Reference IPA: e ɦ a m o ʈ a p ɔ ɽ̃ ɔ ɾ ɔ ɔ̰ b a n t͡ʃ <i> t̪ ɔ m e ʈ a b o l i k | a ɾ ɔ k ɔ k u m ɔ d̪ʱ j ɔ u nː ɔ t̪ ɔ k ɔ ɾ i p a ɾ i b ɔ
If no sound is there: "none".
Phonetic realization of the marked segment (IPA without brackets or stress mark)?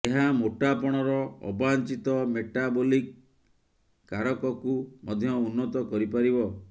i